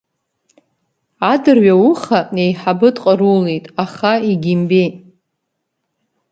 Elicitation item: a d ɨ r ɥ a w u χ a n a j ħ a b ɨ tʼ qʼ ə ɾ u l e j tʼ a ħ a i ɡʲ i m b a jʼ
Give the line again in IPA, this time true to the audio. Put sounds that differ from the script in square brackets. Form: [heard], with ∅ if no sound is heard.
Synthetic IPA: a d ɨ r ɥ a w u χ a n [e] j ħ a b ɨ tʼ qʼ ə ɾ u l e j tʼ a [χ] a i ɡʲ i m b [e] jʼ

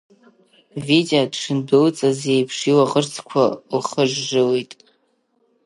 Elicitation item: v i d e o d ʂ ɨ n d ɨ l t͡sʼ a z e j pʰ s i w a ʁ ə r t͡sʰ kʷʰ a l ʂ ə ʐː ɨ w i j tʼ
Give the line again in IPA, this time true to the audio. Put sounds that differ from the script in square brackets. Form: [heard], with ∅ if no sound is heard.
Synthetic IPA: v i d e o d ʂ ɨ n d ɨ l t͡sʼ a z e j pʰ [ʂ] i w a ʁ ə r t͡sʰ kʷʰ a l [χ] ə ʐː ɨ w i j tʼ

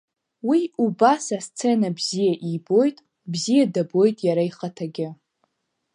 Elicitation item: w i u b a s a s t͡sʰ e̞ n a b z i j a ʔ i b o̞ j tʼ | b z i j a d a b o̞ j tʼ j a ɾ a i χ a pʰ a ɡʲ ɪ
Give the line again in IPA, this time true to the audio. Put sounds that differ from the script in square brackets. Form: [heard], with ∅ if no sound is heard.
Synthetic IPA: w i u b a s a s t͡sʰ e̞ n a b z i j a ʔ i b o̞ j tʼ | b z i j a d a b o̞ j tʼ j a ɾ a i χ a [tʰ] a ɡʲ ɪ

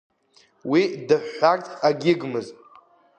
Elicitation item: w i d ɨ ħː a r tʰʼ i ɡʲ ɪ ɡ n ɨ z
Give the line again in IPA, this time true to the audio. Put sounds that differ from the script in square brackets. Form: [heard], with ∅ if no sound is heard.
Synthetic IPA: w i d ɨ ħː a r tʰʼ [a] ɡʲ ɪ ɡ [m] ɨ z

